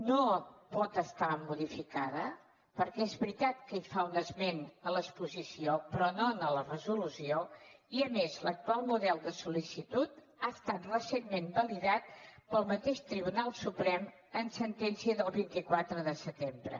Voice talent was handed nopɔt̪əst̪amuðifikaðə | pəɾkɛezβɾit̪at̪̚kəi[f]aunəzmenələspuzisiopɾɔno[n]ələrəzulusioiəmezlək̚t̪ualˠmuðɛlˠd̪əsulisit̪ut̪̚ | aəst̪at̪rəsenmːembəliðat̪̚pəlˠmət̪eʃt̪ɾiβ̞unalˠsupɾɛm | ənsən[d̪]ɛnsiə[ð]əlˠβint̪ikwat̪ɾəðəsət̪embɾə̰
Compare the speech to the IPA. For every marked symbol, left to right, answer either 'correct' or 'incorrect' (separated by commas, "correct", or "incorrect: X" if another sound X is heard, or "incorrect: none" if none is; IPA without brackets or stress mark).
correct, correct, incorrect: t̪, correct